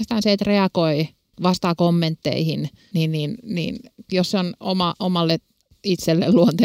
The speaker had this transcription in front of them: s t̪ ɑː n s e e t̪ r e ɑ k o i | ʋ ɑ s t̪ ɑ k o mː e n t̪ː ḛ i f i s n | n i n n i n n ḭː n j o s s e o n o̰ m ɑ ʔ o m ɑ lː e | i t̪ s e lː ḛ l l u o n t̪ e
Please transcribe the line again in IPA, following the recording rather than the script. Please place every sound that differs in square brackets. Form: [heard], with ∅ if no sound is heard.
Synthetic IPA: s t̪ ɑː n s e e t̪ r e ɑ k o i | ʋ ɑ s t̪ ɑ k o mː e n t̪ː ḛ i [h] i [∅] n | n i n n i n n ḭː n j o s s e o n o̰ m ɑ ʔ o m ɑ lː e | i t̪ s e lː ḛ l l u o n t̪ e